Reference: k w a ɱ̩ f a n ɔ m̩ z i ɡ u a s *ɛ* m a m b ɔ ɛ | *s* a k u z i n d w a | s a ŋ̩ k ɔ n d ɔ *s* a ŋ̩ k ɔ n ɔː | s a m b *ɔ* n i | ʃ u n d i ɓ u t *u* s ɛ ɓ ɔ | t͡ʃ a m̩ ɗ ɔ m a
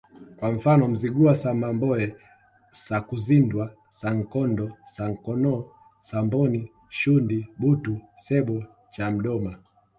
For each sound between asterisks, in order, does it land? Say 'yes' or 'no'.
no, yes, yes, yes, yes

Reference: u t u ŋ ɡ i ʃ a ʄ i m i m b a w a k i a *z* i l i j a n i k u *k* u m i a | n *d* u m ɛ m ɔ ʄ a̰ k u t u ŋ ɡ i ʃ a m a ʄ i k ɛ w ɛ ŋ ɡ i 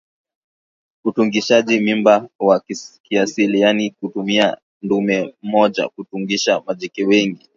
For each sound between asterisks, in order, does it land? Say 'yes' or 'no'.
no, no, yes

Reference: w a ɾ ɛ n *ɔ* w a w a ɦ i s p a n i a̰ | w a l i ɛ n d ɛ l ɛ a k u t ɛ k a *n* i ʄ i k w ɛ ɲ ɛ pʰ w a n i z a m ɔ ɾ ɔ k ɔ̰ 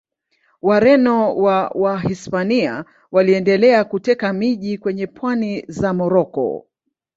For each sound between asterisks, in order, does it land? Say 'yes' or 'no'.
yes, no

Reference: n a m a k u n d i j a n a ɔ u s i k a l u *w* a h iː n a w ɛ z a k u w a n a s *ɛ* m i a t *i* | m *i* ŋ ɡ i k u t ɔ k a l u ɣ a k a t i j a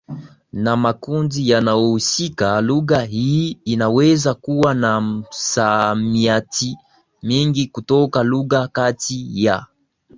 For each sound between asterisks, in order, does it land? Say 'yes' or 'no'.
no, no, yes, yes

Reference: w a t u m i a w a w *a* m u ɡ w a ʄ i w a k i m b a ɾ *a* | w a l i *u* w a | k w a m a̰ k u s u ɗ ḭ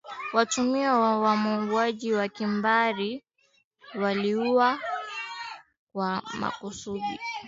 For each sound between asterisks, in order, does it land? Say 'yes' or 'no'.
yes, no, yes

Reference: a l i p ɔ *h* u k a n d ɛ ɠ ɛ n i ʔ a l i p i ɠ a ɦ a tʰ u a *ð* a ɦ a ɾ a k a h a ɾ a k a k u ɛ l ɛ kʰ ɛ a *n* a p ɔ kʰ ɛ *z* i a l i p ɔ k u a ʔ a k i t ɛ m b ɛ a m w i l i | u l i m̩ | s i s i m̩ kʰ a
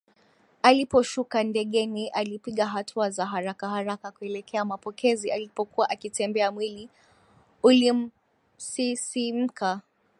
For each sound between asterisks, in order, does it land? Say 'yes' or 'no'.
no, no, no, yes

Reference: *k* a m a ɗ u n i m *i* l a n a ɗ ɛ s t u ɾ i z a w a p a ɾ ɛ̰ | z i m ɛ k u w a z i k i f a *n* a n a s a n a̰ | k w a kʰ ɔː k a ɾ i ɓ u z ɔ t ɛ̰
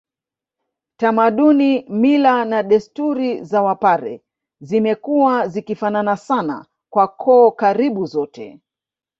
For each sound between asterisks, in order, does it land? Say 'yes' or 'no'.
no, yes, yes

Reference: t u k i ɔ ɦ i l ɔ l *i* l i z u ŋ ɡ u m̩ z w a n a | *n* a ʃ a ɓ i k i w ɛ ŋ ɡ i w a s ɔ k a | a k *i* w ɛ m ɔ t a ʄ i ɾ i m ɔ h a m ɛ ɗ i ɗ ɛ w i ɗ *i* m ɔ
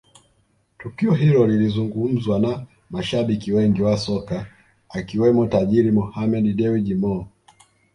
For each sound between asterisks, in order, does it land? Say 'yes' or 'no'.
yes, no, yes, yes

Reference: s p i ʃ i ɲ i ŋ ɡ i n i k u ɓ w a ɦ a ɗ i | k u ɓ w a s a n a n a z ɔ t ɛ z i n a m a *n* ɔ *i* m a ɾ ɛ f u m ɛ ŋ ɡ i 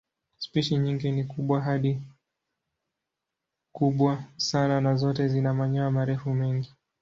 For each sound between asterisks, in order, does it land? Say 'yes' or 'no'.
no, no

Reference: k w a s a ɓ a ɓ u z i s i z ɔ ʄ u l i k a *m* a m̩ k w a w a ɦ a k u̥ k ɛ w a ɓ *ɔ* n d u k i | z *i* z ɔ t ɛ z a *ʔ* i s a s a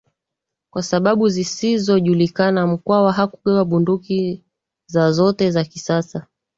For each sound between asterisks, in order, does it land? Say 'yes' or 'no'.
no, no, no, no

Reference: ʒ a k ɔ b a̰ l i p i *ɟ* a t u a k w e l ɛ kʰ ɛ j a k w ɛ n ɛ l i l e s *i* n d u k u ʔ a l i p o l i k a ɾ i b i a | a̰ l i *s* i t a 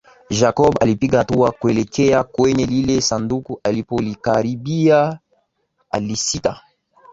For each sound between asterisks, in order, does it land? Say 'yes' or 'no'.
no, no, yes

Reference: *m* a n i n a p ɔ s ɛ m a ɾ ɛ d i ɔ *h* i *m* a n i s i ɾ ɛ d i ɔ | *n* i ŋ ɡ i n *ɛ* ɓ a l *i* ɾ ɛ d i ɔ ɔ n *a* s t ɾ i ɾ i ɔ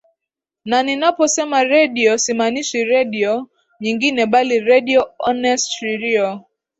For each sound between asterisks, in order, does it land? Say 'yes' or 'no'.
no, no, yes, no, yes, yes, no

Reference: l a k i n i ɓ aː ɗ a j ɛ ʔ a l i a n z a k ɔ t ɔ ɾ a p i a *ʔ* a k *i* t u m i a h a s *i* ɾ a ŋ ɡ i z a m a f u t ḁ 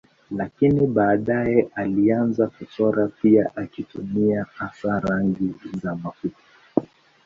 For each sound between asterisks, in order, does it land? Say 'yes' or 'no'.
yes, yes, no

